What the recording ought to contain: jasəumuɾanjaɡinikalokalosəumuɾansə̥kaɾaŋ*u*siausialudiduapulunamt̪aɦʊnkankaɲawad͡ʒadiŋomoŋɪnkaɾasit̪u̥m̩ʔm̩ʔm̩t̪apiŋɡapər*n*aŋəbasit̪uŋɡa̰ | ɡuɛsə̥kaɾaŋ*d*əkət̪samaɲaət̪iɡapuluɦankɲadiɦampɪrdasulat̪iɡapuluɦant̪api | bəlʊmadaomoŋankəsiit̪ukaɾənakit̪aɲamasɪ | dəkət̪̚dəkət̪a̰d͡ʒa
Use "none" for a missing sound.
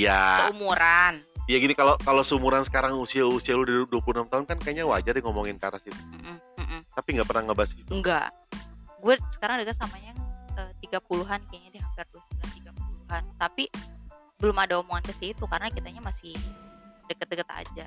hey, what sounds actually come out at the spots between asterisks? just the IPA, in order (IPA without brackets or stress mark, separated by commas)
u, n, d